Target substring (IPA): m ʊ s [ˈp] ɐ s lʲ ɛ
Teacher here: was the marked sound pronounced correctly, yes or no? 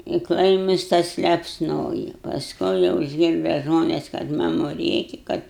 no